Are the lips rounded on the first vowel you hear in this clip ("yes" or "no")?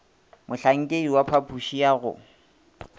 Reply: yes